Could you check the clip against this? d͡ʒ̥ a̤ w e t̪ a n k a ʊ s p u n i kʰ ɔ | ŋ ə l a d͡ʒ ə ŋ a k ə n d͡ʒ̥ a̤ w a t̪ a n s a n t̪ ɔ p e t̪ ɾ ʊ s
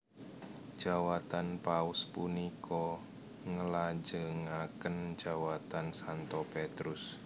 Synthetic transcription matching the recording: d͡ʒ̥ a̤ w a t̪ a n p a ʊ s p u n i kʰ ɔ | ŋ ə l a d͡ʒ ə ŋ a k ə n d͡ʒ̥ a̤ w a t̪ a n s a n t̪ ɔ p e t̪ ɾ ʊ s